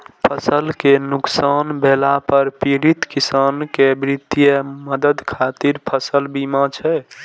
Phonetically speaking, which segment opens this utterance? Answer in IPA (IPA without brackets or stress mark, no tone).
pʰ